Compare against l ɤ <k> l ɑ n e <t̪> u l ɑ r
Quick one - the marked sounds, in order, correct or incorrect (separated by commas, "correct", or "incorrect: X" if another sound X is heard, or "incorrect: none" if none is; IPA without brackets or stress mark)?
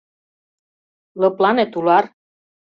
incorrect: p, correct